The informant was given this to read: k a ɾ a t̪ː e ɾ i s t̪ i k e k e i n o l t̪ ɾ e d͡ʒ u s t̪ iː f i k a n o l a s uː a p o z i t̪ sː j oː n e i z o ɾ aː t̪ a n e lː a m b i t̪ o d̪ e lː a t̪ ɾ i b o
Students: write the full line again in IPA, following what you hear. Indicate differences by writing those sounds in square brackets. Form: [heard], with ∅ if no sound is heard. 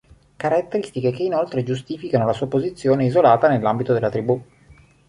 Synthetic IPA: k a ɾ a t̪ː e ɾ i s t̪ i k e k e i n o l t̪ ɾ e d͡ʒ u s t̪ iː f i k a n o l a s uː a p o z i t̪ sː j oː n e i z o [l] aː t̪ a n e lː a m b i t̪ o d̪ e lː a t̪ ɾ i b [u]